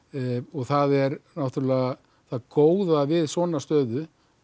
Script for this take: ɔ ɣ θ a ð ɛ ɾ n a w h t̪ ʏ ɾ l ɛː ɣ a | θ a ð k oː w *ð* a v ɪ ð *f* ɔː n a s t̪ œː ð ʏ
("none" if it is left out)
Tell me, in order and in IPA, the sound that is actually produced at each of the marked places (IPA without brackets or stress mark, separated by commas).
ð, s